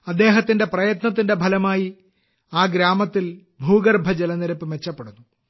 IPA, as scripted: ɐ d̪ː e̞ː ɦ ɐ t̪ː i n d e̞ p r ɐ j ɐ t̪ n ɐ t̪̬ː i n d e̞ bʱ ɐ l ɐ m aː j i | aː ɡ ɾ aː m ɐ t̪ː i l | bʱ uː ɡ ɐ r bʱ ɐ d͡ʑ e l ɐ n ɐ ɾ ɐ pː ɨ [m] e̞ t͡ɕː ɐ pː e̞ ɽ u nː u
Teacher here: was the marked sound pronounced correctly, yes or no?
yes